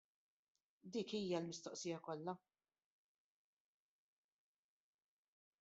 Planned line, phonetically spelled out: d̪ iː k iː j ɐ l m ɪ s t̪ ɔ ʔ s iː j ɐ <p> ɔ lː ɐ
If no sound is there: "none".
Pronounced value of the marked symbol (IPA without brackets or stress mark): k